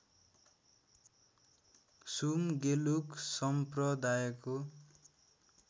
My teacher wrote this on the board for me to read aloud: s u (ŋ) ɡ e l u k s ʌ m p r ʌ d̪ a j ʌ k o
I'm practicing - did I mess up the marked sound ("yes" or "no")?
yes